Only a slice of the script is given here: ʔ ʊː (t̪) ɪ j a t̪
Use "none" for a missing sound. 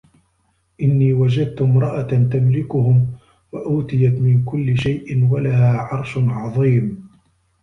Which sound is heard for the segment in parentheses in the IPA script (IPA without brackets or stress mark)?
t̪